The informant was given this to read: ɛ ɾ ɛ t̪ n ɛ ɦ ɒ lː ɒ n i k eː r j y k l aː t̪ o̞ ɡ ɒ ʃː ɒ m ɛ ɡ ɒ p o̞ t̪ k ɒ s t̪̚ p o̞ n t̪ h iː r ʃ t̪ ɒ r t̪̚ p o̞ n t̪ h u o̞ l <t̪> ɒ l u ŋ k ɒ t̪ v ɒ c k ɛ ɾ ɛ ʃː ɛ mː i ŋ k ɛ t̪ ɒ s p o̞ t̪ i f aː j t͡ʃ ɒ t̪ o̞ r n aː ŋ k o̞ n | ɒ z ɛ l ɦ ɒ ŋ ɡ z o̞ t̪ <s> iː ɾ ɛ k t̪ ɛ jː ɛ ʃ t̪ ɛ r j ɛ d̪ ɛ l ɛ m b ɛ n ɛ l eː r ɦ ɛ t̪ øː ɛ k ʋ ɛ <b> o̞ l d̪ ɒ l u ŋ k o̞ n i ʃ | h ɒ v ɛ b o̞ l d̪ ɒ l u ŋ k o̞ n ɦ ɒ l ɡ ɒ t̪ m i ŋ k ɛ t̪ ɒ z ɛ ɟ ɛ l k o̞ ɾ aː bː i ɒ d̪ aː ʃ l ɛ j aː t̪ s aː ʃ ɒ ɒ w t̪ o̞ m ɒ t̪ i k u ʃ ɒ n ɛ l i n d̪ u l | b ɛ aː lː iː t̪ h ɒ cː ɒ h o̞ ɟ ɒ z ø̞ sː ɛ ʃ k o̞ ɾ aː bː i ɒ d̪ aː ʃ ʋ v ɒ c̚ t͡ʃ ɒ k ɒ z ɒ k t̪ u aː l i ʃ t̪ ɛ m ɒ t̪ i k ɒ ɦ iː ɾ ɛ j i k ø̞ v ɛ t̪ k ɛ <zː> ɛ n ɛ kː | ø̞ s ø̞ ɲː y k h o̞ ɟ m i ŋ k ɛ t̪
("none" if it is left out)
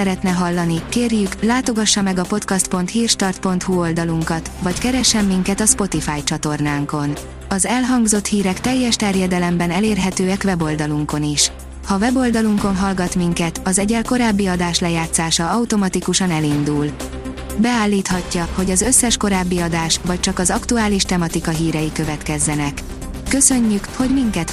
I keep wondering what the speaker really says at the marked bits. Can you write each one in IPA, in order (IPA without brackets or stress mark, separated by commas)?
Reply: d̪, h, b, zː